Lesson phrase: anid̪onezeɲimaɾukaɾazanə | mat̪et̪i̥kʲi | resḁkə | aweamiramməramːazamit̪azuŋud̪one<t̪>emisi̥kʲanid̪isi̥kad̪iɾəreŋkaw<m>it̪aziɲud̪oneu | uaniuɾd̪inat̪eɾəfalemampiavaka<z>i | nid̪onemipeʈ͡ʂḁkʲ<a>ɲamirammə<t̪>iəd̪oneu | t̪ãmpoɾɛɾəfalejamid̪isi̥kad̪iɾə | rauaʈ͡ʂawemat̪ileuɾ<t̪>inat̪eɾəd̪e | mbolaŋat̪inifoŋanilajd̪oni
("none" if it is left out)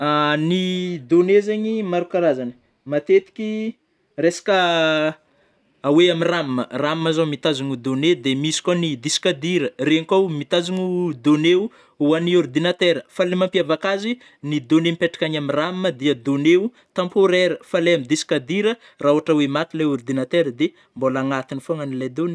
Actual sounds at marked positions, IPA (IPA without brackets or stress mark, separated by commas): d̪, m, z, a, d̪, d̪